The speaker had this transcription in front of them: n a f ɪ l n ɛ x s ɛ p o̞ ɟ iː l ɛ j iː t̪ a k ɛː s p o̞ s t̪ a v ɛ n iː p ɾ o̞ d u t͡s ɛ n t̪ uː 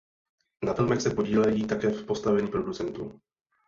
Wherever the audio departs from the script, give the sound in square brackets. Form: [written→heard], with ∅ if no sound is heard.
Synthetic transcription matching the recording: n a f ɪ l [n→m] ɛ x s ɛ p o̞ ɟ iː l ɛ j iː t̪ a k ɛː [s→f] p o̞ s t̪ a v ɛ [n→ɲ] iː p ɾ o̞ d u t͡s ɛ n t̪ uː